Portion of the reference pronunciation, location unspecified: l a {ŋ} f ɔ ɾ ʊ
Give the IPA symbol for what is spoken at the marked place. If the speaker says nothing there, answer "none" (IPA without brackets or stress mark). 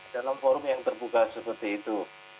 m